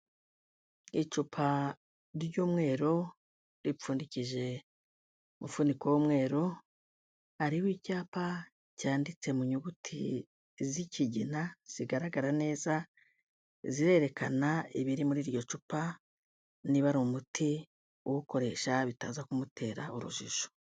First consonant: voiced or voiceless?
voiceless